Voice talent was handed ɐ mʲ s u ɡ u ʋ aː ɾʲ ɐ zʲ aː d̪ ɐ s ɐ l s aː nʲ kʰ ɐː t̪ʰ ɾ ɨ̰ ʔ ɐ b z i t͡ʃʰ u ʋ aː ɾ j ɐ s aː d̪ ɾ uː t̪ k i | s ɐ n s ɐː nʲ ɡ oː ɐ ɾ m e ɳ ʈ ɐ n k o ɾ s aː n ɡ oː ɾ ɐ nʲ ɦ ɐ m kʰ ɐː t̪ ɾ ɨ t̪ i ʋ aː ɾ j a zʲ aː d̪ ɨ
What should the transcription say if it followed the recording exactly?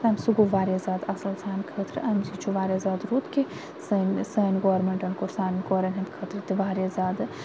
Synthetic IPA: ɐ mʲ s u ɡ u ʋ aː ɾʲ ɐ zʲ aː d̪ ɐ s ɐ l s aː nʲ kʰ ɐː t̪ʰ ɾ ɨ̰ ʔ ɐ m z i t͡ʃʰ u ʋ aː ɾ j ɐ z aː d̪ ɾ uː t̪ k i | s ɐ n s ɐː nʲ ɡ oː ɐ ɾ m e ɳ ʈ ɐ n k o ɾ s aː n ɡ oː ɾ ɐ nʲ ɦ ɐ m kʰ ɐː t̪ ɾ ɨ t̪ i ʋ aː ɾ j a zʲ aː d̪ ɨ

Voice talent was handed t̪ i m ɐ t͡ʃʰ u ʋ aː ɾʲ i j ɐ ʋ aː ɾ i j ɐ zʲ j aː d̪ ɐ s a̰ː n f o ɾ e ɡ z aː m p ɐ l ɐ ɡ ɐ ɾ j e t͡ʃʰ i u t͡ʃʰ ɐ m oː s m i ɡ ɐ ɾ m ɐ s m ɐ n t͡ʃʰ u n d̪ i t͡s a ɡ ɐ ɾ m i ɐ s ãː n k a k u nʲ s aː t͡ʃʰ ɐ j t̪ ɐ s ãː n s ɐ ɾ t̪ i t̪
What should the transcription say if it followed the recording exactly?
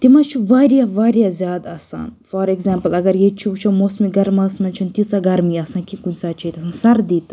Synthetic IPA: t̪ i m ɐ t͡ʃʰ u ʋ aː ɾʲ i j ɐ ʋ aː ɾ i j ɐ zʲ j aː d̪ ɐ s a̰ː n f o ɾ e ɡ z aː m p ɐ l ɐ ɡ ɐ ɾ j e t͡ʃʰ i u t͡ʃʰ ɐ m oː s m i ɡ ɐ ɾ m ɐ s m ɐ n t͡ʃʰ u n t̪ i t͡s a ɡ ɐ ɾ m i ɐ s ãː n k i k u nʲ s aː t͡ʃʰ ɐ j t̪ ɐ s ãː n s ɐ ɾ d̪ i t̪

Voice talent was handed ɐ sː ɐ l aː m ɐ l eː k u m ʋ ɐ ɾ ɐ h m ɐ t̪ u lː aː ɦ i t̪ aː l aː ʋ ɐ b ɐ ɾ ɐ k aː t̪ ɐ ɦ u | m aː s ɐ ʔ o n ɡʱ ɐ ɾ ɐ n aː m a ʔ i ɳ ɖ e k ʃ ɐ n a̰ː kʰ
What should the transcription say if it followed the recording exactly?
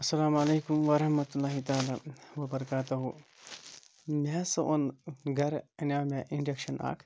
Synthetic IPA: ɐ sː ɐ l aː m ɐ l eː k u m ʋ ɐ ɾ ɐ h m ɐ t̪ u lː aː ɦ i t̪ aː l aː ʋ ɐ b ɐ ɾ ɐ k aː t̪ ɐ ɦ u | m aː s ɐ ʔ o n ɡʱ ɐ ɾ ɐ n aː m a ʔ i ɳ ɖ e k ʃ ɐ n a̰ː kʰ

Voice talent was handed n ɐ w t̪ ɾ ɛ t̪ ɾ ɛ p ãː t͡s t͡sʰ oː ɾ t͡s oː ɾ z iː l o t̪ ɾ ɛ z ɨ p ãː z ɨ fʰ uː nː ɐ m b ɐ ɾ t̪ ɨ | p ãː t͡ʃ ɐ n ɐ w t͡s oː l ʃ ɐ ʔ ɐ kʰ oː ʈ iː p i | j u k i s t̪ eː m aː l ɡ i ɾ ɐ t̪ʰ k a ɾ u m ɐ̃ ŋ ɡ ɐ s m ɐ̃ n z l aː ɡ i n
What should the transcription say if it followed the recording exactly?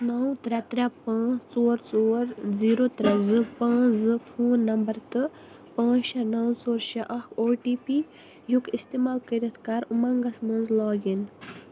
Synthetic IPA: n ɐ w t̪ ɾ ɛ t̪ ɾ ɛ p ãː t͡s t͡s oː ɾ t͡s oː ɾ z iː ɾ o t̪ ɾ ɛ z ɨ p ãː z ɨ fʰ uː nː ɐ m b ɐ ɾ t̪ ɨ | p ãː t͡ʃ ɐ n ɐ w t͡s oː ɾ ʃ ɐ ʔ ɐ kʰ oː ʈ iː p i | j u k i s t̪ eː m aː l k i ɾ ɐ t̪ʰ k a ɾ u m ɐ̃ ŋ ɡ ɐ s m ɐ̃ n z l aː ɡ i n

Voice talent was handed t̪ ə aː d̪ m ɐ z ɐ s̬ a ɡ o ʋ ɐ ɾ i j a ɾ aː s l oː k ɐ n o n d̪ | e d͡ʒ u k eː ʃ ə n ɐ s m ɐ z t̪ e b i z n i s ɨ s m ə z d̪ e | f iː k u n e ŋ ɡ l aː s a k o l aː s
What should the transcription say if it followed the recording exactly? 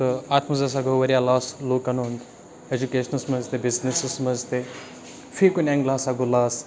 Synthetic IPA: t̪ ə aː t̪ m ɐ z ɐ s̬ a ɡ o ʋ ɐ ɾ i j a l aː s l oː k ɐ n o n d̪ | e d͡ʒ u k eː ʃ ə n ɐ s m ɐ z t̪ e b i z n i s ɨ s m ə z t̪ e | f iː k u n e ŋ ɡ l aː s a ɡ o l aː s

